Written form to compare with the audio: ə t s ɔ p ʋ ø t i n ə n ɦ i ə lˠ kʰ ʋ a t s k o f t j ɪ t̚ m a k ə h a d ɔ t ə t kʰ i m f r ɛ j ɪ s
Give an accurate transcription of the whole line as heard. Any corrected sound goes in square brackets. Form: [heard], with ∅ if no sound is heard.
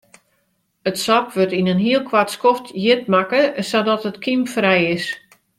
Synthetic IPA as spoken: ə t s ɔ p ʋ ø t i n ə n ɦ i ə lˠ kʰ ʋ a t s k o f t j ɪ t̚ m a k ə [s] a d ɔ t ə t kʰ i m f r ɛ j ɪ s